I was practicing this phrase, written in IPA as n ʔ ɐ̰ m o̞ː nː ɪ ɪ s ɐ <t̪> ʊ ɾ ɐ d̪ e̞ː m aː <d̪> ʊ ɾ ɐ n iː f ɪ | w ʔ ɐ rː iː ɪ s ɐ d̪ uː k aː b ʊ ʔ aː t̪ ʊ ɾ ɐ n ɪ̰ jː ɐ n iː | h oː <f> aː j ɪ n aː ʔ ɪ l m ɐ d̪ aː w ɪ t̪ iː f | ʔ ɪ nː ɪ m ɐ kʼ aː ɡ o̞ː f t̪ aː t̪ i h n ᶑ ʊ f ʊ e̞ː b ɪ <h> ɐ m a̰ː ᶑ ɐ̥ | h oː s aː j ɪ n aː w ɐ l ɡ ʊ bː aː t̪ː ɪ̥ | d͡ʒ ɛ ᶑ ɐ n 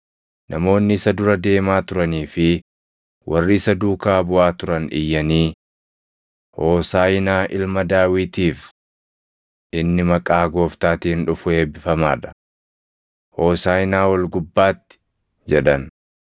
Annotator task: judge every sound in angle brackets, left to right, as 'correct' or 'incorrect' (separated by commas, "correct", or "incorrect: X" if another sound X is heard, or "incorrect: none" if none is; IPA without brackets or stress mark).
incorrect: d̪, incorrect: t̪, incorrect: s, incorrect: f